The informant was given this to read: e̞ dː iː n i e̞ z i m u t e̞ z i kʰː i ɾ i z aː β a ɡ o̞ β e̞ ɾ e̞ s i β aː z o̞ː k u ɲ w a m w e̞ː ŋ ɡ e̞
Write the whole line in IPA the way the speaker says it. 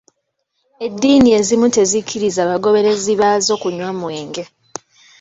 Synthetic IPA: e̞ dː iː n i e̞ z i m u t e̞ z i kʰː i ɾ i z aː β a ɡ o̞ β e̞ ɾ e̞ z i β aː z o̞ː k u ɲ w a m w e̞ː ŋ ɡ e̞